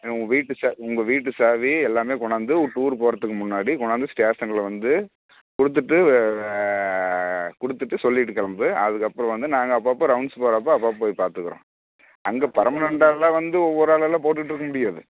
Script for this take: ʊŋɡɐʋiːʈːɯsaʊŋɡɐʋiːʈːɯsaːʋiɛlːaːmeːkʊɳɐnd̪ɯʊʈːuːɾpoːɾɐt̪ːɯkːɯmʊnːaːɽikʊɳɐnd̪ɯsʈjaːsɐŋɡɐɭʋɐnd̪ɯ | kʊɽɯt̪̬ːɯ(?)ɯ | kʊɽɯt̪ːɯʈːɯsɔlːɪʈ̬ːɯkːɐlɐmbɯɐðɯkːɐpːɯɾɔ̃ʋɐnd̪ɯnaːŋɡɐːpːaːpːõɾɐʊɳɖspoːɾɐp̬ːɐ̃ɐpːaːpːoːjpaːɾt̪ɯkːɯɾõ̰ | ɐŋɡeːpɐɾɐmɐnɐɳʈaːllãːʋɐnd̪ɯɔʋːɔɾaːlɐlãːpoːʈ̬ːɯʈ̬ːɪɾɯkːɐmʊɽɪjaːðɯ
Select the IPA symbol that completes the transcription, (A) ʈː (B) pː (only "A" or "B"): A